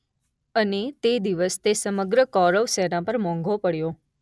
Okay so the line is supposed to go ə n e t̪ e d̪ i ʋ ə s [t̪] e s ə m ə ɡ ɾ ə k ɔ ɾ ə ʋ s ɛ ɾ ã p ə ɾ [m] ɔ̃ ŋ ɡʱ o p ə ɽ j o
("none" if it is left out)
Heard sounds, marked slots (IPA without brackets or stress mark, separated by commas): t̪, m